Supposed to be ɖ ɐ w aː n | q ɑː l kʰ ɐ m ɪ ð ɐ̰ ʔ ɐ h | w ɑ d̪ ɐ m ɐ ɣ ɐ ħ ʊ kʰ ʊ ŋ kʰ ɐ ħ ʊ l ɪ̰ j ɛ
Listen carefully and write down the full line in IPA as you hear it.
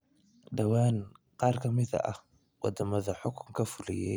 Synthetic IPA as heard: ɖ ɐ w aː n | q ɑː r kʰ ɐ m ɪ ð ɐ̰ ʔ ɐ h | w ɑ d̪ ɐ m ɐ ð ɐ ħ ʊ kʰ ʊ ŋ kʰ ɐ f ʊ l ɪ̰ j ɛ